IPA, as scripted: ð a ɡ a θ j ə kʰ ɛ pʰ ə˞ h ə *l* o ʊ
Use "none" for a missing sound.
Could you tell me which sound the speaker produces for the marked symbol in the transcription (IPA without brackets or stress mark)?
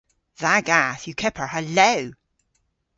l